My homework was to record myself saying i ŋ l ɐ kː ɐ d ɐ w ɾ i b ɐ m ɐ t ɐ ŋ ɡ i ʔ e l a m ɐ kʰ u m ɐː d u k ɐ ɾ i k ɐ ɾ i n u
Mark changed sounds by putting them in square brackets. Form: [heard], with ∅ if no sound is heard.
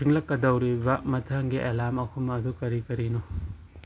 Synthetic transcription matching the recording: i ŋ l ɐ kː ɐ d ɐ w ɾ i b ɐ m ɐ [tʰ] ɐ ŋ ɡ i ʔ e l a m ɐ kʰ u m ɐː d u k ɐ ɾ i k ɐ ɾ i n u